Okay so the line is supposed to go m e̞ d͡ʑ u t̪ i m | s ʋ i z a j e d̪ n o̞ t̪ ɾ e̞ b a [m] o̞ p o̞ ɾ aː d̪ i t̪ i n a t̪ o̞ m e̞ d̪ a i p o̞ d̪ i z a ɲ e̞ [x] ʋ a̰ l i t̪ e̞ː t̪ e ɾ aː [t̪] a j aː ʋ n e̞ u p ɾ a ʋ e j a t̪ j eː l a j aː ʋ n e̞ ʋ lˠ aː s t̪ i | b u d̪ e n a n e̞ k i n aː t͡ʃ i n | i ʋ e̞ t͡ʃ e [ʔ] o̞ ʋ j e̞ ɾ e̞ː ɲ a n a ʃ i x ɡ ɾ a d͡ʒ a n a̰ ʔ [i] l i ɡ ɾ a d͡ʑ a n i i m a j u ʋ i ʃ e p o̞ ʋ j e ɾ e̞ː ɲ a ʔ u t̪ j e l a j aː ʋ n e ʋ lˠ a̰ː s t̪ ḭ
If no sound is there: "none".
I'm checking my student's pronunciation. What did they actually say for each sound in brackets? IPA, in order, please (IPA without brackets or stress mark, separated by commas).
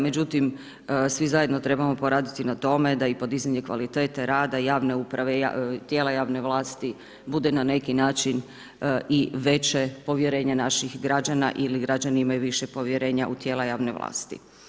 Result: m, k, d̪, p, i